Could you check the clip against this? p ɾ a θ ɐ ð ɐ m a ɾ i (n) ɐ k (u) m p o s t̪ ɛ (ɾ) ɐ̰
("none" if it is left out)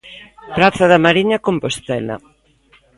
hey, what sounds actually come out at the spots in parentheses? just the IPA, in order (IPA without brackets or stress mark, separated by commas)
ɲ, o, l